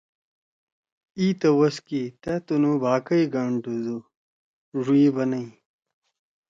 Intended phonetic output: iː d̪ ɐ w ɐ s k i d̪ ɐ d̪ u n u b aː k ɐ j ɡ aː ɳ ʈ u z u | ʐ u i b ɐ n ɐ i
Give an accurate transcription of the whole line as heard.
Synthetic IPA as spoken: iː t̪ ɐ w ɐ s k i t̪ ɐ t̪ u n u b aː k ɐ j ɡ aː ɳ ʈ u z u | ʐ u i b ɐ n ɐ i